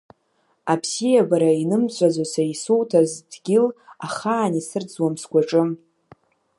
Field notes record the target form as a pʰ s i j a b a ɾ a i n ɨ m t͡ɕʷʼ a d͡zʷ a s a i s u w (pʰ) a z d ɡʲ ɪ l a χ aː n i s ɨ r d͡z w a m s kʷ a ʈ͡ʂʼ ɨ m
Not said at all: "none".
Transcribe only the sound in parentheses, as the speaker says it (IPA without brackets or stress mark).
tʰ